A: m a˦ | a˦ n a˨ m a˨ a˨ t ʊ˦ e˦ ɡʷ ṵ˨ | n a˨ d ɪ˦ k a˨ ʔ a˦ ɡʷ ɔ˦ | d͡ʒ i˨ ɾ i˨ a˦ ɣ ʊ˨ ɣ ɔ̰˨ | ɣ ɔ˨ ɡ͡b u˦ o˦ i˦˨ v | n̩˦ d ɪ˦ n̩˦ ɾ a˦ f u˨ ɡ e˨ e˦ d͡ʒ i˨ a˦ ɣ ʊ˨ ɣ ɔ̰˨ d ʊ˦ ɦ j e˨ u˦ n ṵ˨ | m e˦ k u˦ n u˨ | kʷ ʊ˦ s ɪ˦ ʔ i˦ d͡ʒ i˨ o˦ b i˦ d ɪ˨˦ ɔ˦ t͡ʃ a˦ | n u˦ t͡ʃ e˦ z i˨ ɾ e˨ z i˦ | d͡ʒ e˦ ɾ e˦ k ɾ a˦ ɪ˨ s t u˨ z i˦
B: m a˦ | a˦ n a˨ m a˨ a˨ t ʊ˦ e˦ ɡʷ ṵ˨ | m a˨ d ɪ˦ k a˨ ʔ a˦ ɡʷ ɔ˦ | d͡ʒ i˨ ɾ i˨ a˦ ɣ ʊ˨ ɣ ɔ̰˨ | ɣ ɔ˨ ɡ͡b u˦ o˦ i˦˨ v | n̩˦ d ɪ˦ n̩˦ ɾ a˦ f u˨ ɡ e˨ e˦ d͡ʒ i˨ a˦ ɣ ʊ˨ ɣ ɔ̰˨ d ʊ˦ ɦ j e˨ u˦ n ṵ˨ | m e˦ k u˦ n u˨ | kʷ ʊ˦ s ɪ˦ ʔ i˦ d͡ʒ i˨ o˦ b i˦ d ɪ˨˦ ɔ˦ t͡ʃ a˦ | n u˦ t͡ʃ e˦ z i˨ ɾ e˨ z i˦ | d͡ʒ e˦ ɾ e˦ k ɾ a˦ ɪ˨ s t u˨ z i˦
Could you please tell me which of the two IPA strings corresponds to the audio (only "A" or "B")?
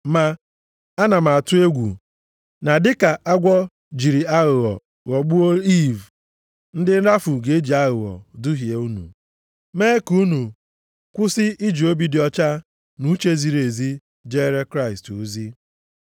A